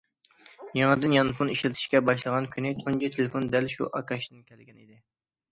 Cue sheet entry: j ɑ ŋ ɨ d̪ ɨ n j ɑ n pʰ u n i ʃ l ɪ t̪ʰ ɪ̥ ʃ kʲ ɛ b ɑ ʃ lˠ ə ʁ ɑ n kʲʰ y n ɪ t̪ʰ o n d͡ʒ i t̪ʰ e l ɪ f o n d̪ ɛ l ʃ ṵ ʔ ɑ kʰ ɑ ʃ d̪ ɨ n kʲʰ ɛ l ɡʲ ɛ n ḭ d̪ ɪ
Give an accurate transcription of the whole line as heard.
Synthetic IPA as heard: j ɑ ŋ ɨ d̪ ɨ n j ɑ n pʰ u n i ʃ l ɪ t̪ʰ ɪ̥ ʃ kʲ ɛ b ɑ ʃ lˠ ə ʁ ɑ n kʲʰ y n ɪ t̪ʰ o n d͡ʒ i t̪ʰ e l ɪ f o n d̪ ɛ l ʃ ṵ ʔ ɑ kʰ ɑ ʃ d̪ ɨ n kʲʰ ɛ l ɡʲ ɛ n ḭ d̪ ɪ